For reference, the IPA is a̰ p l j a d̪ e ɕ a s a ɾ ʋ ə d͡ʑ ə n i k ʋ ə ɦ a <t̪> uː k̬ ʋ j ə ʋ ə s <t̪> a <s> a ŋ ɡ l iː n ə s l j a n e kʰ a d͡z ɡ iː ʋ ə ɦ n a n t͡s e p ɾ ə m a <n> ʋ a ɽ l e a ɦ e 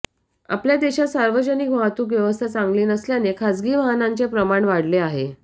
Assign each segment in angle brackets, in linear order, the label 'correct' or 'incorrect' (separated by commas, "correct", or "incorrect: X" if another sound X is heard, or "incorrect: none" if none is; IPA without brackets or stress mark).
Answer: correct, incorrect: t̪ʰ, incorrect: t͡s, incorrect: ɳ